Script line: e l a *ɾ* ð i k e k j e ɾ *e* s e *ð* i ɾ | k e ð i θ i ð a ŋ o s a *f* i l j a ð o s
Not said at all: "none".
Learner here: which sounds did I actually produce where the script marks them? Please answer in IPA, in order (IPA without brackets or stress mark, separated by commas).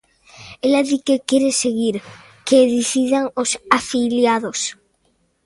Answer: none, e, ɣ, f